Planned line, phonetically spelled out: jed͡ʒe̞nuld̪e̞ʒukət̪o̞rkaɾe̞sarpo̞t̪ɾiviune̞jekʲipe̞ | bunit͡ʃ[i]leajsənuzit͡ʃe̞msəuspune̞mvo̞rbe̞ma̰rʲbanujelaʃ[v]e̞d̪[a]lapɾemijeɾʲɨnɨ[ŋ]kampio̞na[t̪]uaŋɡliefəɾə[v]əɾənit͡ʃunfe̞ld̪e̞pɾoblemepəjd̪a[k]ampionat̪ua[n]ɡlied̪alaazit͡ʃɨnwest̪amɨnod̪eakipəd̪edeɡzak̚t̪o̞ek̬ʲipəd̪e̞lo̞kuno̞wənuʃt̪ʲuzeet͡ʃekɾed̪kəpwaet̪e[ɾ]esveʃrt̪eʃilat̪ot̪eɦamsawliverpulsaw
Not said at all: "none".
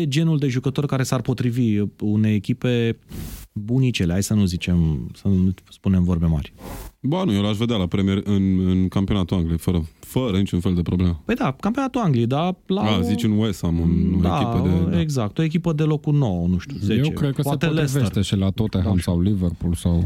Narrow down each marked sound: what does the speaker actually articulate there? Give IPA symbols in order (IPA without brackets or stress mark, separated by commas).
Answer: e, v, a, n, t̪, f, k, ŋ, l